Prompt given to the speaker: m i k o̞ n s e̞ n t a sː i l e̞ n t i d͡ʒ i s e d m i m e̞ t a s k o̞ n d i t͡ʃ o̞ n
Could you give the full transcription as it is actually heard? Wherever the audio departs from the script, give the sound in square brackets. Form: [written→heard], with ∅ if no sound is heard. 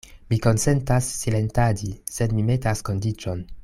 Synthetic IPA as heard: m i k o̞ n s e̞ n t a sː i l e̞ n t [i→a] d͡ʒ i s e d m i m e̞ t a s k o̞ n d i t͡ʃ o̞ n